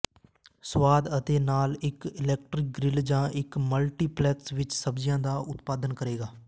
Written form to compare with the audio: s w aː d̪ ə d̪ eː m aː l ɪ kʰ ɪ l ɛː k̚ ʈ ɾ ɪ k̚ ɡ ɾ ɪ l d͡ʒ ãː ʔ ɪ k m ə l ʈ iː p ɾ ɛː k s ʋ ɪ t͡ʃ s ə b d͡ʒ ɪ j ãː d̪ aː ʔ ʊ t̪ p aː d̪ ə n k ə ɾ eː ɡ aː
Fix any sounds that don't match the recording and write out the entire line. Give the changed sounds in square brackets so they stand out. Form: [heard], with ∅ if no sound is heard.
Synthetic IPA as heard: s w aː d̪ ə [t̪] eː [n] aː l ɪ [k] ɪ l ɛː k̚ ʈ ɾ ɪ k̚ ɡ ɾ ɪ l d͡ʒ ãː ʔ ɪ k m ə l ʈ iː p [l] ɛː k s ʋ ɪ t͡ʃ s ə b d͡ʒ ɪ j ãː d̪ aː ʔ ʊ t̪ p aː d̪ ə n k ə ɾ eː ɡ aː